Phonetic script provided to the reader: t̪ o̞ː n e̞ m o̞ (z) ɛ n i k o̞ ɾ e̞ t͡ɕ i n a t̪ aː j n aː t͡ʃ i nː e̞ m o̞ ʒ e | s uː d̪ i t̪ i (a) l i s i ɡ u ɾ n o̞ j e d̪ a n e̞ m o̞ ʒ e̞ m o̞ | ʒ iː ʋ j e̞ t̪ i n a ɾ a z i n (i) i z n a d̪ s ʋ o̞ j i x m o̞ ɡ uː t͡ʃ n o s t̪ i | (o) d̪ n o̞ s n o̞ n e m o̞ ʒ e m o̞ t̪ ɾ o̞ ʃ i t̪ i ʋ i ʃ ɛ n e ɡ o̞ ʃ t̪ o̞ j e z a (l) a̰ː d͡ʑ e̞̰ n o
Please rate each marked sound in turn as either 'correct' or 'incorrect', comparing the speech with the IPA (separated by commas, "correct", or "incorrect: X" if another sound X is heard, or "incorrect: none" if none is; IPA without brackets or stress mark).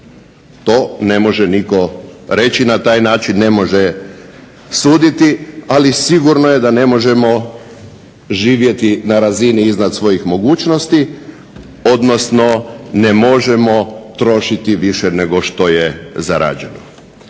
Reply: incorrect: ʒ, correct, correct, correct, incorrect: ɾ